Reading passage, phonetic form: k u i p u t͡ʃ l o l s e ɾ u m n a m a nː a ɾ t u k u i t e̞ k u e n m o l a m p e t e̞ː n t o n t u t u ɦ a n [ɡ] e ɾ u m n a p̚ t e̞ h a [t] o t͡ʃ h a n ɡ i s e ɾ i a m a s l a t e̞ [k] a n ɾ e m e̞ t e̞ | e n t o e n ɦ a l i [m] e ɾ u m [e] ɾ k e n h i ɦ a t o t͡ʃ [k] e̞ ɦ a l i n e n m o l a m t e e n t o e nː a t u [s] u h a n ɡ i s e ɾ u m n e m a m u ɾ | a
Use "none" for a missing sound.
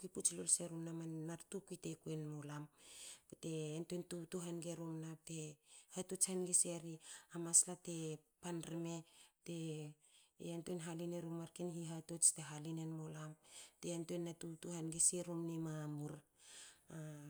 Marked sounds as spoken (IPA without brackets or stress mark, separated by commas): ɡ, t, p, n, a, t, t